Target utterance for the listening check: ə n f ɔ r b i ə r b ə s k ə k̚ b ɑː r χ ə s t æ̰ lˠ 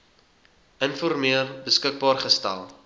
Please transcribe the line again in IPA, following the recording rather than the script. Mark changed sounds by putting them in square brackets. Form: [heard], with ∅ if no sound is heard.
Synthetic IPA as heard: ə n f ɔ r [m] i ə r b ə s k ə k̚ b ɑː r χ ə s t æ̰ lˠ